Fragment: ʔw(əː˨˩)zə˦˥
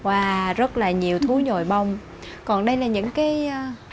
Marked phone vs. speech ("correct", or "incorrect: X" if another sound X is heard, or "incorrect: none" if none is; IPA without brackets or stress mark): incorrect: aː˨˩